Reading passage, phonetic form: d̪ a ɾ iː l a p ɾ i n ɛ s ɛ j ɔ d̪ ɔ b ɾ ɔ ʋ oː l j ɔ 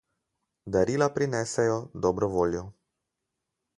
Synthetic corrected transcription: d̪ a ɾ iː l a p ɾ i n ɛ s ɛ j ɔ d̪ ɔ b ɾ ɔ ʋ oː l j ɔ